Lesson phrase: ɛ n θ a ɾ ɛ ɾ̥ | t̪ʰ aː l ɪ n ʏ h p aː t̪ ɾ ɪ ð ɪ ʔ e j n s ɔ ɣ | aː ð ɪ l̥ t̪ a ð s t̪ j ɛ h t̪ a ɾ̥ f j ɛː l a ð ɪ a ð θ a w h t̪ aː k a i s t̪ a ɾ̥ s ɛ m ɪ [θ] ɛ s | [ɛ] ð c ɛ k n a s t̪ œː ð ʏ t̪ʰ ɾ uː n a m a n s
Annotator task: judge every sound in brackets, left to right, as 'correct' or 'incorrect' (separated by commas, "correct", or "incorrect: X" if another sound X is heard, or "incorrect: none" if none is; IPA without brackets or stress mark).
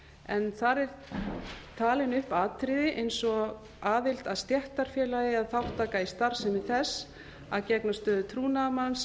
correct, incorrect: a